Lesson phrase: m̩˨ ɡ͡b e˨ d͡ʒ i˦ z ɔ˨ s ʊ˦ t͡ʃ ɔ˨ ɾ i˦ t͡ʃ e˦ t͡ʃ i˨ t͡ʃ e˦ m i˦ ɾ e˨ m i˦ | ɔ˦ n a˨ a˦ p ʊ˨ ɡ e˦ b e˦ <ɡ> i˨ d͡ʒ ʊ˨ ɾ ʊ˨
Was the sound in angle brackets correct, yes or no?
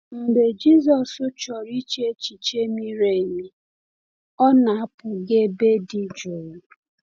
no